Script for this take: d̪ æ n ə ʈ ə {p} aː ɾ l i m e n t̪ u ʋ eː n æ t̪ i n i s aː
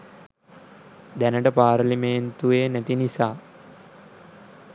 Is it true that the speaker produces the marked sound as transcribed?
yes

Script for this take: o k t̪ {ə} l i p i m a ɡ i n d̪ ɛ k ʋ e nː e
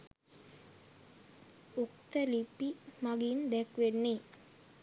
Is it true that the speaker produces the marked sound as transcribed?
yes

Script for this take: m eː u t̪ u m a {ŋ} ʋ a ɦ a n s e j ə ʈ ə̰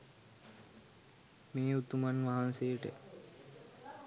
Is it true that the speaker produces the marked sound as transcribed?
no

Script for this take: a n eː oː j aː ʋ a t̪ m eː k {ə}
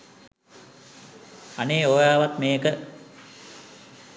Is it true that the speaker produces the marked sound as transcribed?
yes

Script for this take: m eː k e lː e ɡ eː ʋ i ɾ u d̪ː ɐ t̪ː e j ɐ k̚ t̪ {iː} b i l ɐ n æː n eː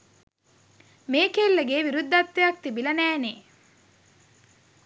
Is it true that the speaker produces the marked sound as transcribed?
no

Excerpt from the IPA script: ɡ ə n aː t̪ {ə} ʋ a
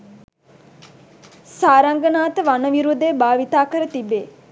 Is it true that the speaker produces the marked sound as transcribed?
yes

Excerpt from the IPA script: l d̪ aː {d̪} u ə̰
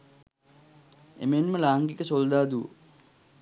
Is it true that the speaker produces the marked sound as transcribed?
yes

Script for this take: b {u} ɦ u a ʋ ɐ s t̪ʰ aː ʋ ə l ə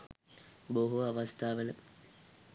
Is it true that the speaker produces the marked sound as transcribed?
no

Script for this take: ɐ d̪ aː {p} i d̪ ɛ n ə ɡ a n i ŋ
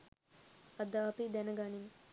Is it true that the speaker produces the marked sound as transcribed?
yes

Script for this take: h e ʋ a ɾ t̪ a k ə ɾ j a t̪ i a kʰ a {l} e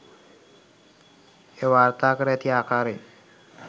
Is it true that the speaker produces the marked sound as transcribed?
no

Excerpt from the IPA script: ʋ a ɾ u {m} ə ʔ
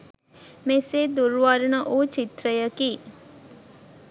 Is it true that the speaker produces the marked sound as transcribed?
no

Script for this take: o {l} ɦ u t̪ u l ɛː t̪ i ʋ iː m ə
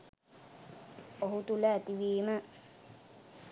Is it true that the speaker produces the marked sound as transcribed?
no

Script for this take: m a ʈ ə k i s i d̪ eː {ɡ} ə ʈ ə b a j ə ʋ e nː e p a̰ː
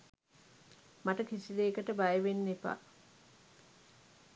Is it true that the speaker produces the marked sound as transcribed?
no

